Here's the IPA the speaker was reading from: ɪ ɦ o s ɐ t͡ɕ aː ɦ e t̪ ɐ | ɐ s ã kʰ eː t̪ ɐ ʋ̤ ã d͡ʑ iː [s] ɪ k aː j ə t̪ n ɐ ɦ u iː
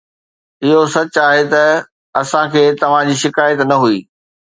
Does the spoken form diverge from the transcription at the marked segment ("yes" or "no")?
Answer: yes